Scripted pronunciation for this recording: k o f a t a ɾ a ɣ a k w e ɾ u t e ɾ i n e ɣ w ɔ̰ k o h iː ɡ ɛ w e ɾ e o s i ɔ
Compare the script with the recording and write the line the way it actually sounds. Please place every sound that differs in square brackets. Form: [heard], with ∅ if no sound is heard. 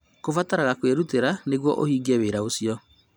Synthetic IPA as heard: k o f a t a ɾ a ɣ a k w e ɾ u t e ɾ [a] n e ɣ w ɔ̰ [ʔ] o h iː ɡ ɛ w e ɾ [a] o s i ɔ

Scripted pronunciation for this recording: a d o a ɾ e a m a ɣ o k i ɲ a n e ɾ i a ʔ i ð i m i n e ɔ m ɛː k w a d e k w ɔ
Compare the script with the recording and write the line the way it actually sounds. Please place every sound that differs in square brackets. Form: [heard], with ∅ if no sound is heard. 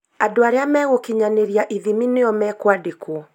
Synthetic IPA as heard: a d o a ɾ e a m [ɛ] ɣ o k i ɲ a n e ɾ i a ʔ i ð i m i n e ɔ m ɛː k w a d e k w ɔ

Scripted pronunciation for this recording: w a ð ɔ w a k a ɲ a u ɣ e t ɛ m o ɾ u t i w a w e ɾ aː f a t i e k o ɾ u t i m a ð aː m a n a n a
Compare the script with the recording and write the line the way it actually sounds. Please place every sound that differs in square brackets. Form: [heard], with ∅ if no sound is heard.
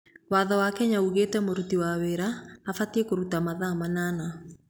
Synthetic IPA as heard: w a ð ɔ w a k [ɛ] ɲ a u ɣ e t ɛ m o ɾ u t i w a w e ɾ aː f a t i e k o ɾ u t [a] m a ð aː m a n a n a

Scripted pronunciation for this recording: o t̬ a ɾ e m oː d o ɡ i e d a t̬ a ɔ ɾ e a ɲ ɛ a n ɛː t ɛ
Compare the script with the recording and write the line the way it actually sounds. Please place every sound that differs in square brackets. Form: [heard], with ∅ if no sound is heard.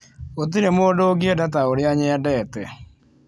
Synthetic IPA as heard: o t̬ [i] ɾ e m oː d o ɡ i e d a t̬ a [o] ɾ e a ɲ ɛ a [d] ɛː t ɛ

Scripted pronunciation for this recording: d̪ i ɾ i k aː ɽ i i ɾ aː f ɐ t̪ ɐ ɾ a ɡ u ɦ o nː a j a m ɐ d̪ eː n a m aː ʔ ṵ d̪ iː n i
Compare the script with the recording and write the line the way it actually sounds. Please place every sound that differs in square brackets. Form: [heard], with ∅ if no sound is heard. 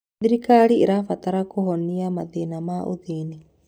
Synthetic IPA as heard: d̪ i ɾ i k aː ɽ i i ɾ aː f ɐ t̪ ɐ ɾ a [k] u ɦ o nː [i] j a m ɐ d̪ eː n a m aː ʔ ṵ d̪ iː n i

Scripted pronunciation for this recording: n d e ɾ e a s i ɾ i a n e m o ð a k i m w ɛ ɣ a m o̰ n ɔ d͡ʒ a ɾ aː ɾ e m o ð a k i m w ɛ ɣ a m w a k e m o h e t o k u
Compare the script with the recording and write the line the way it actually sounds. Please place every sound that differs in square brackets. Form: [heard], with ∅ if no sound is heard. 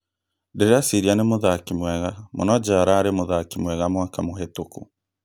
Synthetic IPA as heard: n d e ɾ e a s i ɾ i a n e m o ð a k i m w ɛ ɣ a m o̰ n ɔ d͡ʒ a ɾ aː ɾ e m o ð a k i m w ɛ ɣ a m w a k [a] m o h e t o k u

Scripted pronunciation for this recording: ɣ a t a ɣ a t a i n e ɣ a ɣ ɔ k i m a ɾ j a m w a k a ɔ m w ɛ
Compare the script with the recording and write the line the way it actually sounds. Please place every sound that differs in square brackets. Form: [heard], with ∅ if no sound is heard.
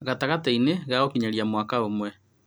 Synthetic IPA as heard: ɣ a t a ɣ a t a i n e ɣ a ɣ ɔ k i [ɲ] a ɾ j a m w a k a [o] m w ɛ

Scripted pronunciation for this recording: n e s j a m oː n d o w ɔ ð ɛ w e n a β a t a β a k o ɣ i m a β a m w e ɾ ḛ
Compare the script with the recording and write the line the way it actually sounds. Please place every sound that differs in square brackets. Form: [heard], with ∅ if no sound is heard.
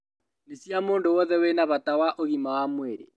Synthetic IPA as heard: n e s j a m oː n d o w ɔ ð ɛ w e n a β a t a [w] a [ʔ] o ɣ i m a [w] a m w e ɾ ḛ

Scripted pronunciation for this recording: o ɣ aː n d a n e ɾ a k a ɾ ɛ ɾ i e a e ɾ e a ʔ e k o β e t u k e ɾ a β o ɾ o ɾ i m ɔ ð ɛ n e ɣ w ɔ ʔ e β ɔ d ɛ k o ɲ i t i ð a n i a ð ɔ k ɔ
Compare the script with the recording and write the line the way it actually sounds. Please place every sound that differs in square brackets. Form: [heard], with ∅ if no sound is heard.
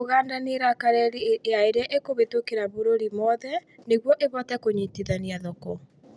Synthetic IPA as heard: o ɣ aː n d a n e ɾ a k a ɾ ɛ ɾ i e a e ɾ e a ʔ e k o β e t [o] k e ɾ a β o ɾ o ɾ i m ɔ ð ɛ n e ɣ w ɔ ʔ e β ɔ [t] ɛ k o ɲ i t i ð a n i a ð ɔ k ɔ

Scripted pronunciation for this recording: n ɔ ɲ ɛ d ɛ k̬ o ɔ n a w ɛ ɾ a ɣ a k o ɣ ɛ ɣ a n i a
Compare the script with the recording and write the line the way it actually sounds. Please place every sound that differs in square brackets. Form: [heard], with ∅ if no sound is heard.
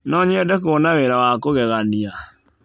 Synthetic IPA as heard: n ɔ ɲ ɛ d ɛ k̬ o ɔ n a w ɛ ɾ a [w] a k o ɣ ɛ ɣ a n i a

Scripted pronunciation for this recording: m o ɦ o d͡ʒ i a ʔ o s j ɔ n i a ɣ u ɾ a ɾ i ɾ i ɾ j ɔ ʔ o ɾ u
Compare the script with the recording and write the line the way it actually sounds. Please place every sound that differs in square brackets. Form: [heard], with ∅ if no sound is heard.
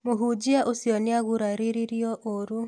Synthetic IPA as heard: m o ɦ [u] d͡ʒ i a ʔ o s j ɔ n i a ɣ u ɾ a ɾ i ɾ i ɾ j ɔ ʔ o ɾ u

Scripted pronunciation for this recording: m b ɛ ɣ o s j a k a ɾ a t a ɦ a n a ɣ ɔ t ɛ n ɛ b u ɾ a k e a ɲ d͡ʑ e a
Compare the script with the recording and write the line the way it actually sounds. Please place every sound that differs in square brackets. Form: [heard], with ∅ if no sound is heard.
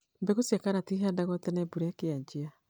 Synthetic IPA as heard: m b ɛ ɣ o s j a k a ɾ a t [i] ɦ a [d] a ɣ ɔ t ɛ n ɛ b u ɾ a k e a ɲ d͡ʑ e a

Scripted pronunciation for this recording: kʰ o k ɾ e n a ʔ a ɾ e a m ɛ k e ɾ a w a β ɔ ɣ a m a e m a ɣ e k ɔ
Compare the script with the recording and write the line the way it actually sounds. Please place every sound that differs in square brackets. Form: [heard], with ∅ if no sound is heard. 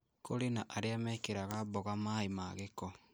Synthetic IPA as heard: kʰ o [∅] ɾ e n a ʔ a ɾ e a m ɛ k e ɾ a [ɣ] a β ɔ ɣ a m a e m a ɣ e k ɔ

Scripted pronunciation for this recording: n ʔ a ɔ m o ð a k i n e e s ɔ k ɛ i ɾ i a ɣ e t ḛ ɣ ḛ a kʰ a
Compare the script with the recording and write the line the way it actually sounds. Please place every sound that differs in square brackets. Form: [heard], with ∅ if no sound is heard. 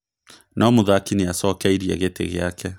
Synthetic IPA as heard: n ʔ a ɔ m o ð a k i n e [a] s ɔ k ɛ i ɾ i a ɣ e t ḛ ɣ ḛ a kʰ [ɛ]

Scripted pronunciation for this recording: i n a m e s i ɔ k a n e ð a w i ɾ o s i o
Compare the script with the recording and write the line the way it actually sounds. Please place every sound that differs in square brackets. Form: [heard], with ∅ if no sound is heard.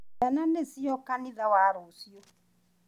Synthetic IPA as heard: [a] n a [n] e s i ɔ k a n [i] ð a w [a] ɾ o s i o

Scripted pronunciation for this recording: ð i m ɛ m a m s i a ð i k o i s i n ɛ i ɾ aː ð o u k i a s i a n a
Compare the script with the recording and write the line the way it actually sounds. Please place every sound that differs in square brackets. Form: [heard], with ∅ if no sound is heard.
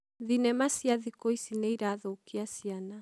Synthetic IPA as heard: ð i [n] ɛ m a [∅] s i a ð i k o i s i n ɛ i ɾ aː ð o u k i a s i a n a

